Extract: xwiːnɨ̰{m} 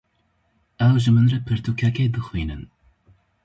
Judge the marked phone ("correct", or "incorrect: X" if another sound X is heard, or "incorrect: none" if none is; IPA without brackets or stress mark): incorrect: n